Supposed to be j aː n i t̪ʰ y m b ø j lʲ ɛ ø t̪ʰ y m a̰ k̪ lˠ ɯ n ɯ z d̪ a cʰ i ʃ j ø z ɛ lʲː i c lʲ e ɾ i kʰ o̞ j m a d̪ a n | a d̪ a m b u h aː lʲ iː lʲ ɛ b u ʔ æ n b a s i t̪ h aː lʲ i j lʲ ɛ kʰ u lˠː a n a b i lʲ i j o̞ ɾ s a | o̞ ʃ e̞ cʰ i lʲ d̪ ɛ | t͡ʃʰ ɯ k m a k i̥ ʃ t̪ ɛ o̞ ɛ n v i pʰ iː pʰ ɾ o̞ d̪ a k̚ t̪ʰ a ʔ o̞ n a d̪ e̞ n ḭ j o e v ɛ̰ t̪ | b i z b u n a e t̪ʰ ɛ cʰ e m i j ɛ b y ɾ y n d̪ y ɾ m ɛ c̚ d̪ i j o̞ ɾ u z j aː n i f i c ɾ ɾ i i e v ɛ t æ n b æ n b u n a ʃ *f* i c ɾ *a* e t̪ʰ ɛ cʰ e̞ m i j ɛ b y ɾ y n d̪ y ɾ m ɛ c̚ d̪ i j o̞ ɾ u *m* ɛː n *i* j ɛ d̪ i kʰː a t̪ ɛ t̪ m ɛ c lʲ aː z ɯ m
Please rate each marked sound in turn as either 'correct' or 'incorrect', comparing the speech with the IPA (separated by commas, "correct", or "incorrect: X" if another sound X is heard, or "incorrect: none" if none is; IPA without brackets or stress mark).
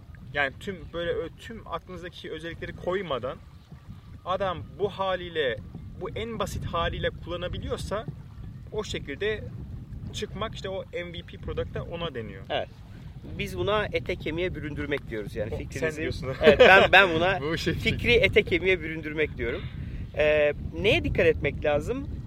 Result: correct, incorrect: i, correct, incorrect: e